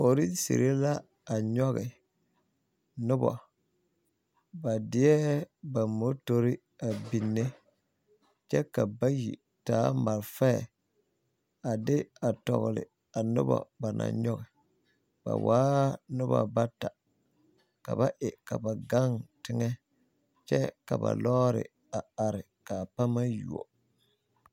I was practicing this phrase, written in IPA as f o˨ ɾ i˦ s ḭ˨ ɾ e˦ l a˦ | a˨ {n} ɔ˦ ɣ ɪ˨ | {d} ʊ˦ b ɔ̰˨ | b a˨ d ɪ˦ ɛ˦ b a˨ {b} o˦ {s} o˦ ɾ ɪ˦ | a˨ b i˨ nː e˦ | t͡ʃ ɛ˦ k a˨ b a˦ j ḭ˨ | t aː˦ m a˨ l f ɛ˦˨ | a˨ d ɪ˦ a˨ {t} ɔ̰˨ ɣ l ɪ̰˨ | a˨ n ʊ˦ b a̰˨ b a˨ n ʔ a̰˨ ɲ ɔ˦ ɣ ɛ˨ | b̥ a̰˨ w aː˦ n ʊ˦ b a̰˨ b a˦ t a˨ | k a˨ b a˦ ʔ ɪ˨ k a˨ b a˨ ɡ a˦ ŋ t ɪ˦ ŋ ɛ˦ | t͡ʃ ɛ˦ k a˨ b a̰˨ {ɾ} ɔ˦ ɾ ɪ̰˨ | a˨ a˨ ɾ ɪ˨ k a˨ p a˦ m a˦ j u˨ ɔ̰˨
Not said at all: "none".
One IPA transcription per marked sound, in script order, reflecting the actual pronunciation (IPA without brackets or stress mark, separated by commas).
ɲ, n, m, t, t, l